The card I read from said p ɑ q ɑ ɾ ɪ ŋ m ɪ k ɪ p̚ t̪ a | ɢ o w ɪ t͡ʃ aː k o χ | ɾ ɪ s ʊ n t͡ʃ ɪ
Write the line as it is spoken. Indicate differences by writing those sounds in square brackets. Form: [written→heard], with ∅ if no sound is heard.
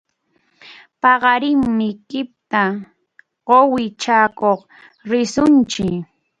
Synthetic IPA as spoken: p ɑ [q→ɢ] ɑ ɾ ɪ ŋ m ɪ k ɪ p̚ t̪ a | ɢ o w ɪ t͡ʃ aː k o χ | ɾ ɪ s ʊ n t͡ʃ ɪ